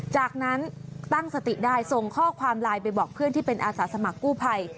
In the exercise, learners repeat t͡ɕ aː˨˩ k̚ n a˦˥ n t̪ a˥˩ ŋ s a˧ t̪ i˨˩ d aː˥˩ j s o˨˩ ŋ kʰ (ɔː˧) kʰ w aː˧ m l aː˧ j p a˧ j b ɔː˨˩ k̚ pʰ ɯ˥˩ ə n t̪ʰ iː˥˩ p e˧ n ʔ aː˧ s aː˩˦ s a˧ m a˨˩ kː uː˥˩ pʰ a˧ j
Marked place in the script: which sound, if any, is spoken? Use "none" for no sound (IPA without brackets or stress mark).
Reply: ɔː˥˩